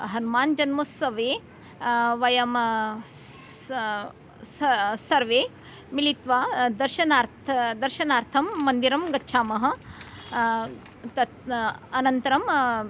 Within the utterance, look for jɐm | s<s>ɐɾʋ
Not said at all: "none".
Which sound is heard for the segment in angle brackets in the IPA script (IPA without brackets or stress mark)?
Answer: s